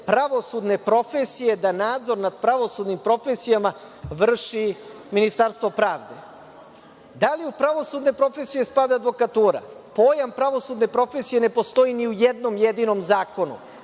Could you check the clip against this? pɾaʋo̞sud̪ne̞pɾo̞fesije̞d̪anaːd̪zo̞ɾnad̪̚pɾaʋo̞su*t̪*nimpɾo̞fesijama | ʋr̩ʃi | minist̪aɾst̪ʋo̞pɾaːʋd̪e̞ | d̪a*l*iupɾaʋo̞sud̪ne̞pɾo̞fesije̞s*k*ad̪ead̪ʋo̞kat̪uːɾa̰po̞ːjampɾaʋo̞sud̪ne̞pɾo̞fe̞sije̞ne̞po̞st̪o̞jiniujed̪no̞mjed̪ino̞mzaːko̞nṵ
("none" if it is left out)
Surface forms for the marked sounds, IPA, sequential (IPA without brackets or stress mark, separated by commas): d̪, l, p